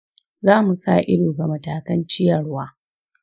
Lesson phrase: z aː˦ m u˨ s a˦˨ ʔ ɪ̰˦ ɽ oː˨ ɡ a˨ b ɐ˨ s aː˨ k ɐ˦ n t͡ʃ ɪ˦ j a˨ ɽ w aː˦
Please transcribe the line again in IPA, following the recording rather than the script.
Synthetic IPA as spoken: z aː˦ m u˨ s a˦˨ ʔ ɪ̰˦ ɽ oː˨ ɡ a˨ m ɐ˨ t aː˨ k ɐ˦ n t͡ʃ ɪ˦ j ɐ˨ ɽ w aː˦

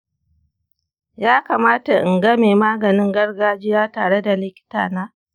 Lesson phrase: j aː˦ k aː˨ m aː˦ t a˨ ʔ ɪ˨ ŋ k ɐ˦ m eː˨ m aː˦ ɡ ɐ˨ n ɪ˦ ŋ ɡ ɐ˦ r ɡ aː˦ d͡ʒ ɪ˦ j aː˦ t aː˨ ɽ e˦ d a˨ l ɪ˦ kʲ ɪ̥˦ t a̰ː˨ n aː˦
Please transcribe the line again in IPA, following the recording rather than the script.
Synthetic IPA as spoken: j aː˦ k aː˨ m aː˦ t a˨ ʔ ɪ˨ ŋ ɡ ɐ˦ m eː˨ m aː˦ ɡ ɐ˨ n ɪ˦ ŋ ɡ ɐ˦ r ɡ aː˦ d͡ʒ ɪ˦ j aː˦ t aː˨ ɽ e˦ d a˨ l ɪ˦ kʲ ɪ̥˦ t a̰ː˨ n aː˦

